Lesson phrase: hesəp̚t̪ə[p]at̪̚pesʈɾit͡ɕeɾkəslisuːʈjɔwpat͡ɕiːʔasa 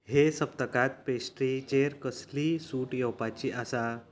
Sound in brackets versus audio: incorrect: k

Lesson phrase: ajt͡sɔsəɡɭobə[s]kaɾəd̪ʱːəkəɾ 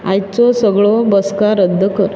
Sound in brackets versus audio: correct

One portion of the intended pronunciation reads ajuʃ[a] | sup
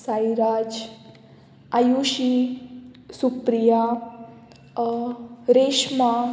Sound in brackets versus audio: incorrect: i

